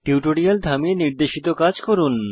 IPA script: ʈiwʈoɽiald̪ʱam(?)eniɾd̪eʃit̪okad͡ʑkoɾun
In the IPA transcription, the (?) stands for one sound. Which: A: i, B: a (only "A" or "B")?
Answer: A